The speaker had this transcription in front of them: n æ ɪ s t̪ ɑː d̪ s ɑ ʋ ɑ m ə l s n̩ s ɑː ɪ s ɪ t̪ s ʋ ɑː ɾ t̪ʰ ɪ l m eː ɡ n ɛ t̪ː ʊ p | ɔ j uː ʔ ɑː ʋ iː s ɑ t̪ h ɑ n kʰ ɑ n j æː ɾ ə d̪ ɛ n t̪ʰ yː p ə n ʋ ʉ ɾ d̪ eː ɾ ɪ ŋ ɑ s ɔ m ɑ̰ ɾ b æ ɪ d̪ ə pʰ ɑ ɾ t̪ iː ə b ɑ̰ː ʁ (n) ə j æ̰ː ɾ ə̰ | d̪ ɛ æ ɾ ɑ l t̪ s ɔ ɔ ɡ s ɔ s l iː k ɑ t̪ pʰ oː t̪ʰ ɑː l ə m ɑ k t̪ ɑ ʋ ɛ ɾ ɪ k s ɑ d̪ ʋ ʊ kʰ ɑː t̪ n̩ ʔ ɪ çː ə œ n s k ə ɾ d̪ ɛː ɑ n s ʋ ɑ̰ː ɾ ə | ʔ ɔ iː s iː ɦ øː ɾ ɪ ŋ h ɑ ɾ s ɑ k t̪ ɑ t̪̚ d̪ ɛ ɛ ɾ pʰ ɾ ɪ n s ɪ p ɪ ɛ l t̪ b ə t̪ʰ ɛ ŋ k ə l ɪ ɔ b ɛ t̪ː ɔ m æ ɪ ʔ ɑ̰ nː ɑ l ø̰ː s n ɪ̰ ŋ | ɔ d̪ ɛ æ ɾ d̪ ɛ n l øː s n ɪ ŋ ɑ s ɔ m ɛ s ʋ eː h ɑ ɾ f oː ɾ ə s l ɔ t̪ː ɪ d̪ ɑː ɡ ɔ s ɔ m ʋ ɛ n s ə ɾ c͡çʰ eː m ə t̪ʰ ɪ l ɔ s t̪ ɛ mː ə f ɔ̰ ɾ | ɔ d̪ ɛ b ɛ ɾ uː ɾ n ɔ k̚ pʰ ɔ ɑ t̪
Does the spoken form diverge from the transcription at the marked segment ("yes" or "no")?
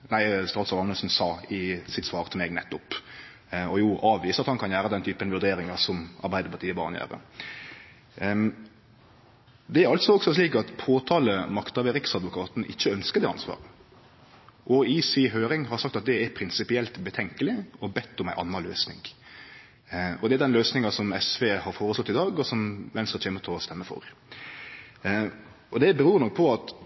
no